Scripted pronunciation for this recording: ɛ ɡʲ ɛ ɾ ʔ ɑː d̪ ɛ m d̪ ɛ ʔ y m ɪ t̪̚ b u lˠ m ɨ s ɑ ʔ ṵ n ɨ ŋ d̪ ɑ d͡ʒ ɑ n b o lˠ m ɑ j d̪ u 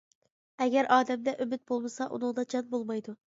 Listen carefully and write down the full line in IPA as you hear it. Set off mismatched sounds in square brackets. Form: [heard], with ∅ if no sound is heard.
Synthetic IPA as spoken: ɛ ɡʲ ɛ ɾ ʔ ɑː d̪ ɛ m d̪ ɛ ʔ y m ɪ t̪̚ b [o] lˠ m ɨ s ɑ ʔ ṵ n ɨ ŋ d̪ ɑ d͡ʒ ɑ n b o lˠ m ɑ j d̪ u